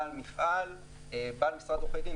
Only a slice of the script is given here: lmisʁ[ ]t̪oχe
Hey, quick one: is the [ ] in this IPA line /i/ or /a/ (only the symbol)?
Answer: a